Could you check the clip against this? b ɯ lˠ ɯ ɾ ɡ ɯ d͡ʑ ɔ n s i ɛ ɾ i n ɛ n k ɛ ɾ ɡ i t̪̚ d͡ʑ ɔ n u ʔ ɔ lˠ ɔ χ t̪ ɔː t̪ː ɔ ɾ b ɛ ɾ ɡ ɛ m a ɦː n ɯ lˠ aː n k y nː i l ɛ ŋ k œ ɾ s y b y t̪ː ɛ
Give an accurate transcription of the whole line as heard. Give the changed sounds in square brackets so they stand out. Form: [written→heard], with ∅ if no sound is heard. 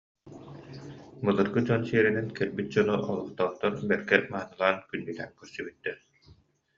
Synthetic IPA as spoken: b ɯ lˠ ɯ ɾ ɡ ɯ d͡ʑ ɔ n s i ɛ ɾ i n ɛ n k ɛ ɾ [ɡ→b] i t̪̚ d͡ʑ ɔ n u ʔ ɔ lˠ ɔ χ t̪ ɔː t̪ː ɔ ɾ b ɛ ɾ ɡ ɛ m a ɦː n ɯ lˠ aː n k y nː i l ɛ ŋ k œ ɾ s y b y t̪ː ɛ